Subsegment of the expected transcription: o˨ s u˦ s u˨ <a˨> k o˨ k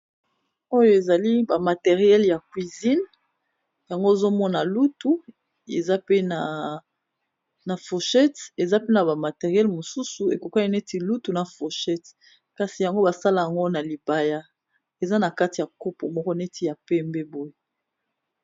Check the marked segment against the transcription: incorrect: e˨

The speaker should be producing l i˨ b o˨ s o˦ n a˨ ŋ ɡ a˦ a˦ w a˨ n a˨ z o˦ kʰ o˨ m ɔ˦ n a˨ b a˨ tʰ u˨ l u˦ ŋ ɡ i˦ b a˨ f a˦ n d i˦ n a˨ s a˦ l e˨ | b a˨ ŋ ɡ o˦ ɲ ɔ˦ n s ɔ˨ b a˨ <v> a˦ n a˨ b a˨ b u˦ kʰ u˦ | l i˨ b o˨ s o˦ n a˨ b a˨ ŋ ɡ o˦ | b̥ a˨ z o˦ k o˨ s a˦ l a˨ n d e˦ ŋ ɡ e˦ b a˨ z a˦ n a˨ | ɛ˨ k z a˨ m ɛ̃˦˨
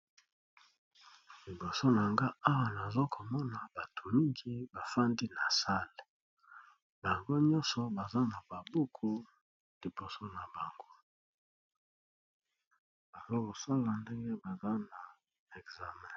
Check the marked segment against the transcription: incorrect: z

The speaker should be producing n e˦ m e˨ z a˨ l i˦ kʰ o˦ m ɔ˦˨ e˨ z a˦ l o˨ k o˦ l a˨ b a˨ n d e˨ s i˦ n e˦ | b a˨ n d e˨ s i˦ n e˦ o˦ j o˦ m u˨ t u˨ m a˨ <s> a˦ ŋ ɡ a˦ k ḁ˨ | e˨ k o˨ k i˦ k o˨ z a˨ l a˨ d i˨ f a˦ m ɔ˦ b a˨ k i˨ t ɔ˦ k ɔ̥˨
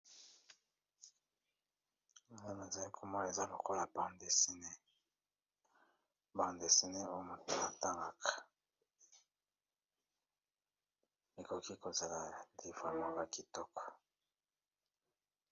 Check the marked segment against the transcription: incorrect: t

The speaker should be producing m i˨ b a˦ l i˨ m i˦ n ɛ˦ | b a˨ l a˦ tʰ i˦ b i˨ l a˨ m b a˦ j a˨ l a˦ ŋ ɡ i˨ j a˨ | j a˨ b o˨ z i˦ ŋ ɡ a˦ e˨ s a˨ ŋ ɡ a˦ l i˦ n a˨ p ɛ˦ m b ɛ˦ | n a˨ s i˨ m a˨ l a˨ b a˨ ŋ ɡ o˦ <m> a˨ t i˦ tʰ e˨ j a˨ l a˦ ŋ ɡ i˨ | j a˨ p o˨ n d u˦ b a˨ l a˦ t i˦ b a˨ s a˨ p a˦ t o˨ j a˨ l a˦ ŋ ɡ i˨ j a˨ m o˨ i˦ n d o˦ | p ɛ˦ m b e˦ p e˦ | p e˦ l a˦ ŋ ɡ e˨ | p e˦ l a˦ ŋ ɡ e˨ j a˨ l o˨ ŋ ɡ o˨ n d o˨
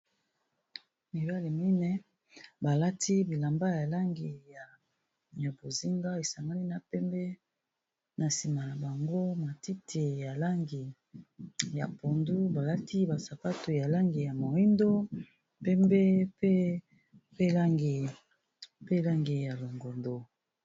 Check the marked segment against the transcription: correct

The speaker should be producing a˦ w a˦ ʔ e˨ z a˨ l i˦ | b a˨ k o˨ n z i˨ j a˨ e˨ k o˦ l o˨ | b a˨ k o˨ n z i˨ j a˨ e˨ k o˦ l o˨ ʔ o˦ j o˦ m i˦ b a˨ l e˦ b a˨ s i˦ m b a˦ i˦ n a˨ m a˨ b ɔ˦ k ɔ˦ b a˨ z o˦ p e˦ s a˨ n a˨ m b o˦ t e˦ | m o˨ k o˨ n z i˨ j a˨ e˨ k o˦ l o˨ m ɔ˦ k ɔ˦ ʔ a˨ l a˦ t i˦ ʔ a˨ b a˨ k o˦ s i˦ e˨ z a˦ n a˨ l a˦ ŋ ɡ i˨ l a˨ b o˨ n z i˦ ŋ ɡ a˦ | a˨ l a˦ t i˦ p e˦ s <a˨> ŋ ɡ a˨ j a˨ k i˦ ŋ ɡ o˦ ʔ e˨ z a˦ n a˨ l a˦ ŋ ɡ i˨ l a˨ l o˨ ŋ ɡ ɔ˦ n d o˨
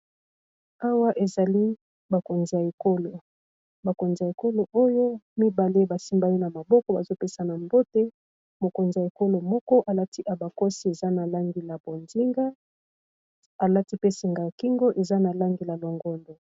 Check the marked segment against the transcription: incorrect: i˨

